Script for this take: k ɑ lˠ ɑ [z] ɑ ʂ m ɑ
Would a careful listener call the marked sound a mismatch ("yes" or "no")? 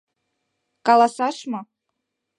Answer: yes